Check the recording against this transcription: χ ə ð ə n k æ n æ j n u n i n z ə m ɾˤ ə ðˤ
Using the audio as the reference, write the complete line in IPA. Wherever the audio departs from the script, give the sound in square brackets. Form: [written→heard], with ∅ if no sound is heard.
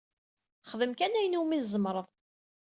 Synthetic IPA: χ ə ð ə [n→m] k æ n æ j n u [n→m] i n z ə m ɾˤ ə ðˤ